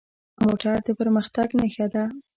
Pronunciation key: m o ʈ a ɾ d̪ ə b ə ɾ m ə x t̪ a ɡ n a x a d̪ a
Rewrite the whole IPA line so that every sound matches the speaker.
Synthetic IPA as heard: m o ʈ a ɾ d̪ ə p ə ɾ m ə x t̪ a ɡ n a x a d̪ a